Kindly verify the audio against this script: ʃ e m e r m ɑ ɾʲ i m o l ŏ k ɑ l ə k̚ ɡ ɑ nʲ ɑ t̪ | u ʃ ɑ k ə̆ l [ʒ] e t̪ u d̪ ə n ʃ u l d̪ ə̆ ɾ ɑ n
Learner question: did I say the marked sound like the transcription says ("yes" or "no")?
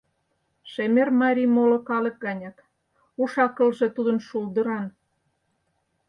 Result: yes